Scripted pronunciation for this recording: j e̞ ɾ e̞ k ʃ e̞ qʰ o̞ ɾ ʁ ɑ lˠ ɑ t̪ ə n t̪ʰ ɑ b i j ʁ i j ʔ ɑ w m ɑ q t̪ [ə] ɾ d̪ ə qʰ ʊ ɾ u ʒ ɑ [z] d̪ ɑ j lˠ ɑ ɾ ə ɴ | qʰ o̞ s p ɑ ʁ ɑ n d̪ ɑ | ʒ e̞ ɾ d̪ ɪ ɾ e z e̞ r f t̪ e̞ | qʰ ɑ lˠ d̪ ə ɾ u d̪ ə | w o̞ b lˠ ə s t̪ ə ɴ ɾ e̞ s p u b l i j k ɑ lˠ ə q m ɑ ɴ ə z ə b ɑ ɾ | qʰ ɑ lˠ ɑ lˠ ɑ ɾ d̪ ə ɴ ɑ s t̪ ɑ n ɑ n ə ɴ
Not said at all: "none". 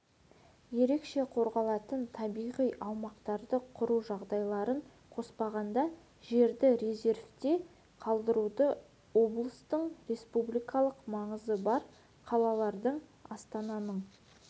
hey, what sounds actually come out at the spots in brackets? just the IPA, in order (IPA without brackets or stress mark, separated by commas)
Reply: ɑ, ʁ